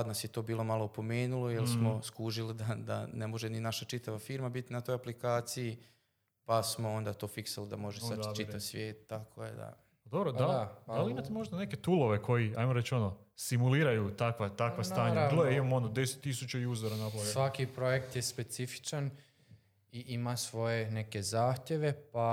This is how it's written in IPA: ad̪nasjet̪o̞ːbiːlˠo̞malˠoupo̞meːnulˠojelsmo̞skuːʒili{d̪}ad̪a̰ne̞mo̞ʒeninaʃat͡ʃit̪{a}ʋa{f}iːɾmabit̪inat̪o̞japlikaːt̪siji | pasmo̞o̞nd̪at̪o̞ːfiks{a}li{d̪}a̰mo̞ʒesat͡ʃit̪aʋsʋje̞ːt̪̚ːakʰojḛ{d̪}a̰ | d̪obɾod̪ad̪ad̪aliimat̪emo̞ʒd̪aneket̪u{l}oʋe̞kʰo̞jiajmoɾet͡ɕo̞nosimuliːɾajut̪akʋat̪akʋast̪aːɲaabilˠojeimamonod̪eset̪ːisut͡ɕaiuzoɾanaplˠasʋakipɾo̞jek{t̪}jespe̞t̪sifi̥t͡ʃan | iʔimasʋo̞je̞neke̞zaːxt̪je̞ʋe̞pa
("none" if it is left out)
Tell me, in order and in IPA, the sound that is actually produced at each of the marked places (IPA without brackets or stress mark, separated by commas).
d̪, a, f, a, d̪, d̪, l, t̪